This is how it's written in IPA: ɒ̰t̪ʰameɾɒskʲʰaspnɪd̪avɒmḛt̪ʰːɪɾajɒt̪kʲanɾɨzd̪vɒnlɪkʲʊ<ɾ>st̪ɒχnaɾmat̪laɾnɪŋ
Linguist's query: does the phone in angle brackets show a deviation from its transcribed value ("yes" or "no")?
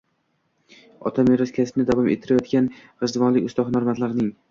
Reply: yes